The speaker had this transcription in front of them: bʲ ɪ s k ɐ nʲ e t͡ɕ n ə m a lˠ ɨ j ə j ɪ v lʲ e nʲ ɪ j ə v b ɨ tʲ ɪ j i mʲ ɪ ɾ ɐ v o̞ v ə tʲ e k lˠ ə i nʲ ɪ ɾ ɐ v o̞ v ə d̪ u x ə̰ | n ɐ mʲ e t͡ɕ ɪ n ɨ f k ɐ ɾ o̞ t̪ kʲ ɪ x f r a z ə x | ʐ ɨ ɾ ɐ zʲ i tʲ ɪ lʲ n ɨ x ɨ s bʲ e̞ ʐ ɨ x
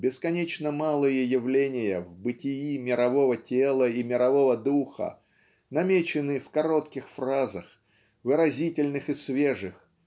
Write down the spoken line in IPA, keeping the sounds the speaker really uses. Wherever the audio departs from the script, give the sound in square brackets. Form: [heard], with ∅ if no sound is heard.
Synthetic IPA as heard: bʲ ɪ s k ɐ nʲ e t͡ɕ n ə m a lˠ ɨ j ə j ɪ v lʲ e nʲ ɪ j ə v b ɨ tʲ ɪ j i mʲ ɪ ɾ ɐ v o̞ v ə tʲ e [∅] lˠ ə i [mʲ] ɪ ɾ ɐ v o̞ v ə d̪ u x ə̰ | n ɐ mʲ e t͡ɕ ɪ n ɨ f k ɐ ɾ o̞ t̪ kʲ ɪ x f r a z ə x | [v] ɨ ɾ ɐ zʲ i tʲ ɪ lʲ n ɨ x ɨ s [vʲ] e̞ ʐ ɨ x